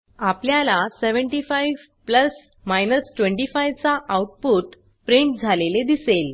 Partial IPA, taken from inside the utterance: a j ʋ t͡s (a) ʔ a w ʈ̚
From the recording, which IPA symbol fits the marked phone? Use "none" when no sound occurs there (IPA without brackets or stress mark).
a